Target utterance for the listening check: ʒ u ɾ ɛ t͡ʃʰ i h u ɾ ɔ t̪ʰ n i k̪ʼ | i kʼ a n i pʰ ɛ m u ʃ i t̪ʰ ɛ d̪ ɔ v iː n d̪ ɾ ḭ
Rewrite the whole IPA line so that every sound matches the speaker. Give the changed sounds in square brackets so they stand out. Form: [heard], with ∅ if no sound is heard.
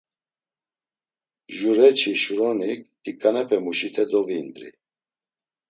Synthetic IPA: ʒ u ɾ ɛ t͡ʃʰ i [ʃ] u ɾ ɔ [∅] n i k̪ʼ | i kʼ a n [ɛ] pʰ ɛ m u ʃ i t̪ʰ ɛ d̪ ɔ v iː n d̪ ɾ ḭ